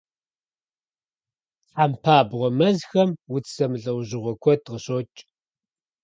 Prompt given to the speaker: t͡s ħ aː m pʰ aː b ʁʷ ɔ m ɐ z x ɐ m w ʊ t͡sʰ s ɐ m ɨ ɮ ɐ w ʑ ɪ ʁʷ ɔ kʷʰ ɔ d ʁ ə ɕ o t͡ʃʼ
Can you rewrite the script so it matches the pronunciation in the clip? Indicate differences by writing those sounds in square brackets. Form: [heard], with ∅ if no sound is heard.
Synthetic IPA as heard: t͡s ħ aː m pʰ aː b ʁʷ ɔ m ɐ z x ɐ m w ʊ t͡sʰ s ɐ m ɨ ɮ ɐ w ʑ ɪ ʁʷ ɔ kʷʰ ɔ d ʁ ə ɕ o t͡ʃʼ